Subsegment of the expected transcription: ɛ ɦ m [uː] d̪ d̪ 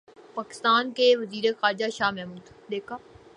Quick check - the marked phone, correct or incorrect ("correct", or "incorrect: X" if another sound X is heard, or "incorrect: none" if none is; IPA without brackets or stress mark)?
correct